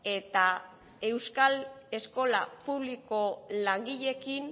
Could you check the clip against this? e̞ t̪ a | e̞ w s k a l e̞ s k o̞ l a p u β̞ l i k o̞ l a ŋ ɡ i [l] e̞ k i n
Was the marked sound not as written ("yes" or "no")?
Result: yes